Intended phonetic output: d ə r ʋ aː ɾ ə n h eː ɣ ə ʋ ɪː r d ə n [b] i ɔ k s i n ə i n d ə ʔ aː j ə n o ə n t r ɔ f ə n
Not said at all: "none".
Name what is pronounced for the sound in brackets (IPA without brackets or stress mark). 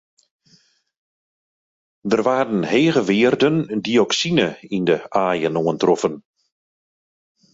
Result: d